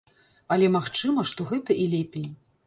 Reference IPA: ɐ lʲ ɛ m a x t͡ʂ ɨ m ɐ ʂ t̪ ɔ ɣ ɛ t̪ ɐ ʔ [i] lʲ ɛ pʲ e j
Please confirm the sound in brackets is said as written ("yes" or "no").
yes